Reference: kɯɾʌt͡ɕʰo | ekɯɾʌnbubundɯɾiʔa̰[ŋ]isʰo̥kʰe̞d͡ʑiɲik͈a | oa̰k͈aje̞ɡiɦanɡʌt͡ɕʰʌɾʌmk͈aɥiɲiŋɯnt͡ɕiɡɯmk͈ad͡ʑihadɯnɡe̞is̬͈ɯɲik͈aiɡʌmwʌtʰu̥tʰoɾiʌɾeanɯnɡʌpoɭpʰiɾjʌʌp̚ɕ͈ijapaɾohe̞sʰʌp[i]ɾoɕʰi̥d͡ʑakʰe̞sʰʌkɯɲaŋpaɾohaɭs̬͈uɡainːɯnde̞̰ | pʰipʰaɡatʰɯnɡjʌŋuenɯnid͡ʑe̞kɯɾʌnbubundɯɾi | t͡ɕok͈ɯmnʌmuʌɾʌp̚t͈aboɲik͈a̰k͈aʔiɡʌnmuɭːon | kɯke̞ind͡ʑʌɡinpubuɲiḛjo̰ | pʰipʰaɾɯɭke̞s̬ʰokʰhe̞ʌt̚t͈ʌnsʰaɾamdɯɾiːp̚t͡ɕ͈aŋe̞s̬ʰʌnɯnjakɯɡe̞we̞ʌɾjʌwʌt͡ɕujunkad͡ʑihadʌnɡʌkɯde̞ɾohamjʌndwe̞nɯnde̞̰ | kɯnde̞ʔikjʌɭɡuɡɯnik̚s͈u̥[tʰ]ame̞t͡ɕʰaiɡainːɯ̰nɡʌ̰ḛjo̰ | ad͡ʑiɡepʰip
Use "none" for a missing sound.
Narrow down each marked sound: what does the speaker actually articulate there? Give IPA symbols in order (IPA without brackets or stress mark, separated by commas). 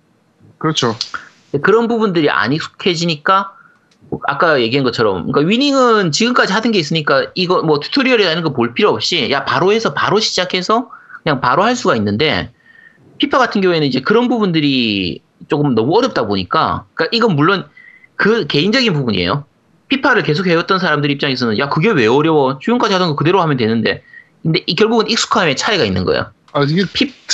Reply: ɲ, a, kʰ